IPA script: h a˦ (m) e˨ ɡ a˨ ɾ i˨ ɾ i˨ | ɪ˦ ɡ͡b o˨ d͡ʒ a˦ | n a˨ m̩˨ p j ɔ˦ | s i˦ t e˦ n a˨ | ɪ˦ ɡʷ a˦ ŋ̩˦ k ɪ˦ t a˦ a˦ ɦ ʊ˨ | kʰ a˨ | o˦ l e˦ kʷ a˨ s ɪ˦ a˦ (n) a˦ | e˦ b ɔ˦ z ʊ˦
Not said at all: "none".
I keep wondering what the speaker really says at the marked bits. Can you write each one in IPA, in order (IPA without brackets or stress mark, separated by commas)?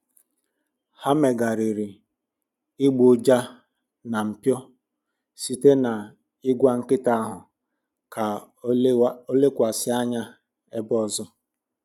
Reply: m, ɲ